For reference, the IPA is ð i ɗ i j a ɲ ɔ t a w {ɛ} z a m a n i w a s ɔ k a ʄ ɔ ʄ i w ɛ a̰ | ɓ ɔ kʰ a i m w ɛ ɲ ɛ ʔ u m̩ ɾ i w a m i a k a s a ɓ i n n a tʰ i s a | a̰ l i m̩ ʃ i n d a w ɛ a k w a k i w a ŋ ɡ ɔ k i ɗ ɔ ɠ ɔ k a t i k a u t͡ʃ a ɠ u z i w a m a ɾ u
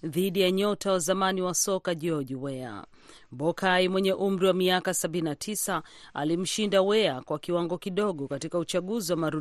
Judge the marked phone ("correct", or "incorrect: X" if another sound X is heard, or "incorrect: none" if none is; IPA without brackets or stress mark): incorrect: a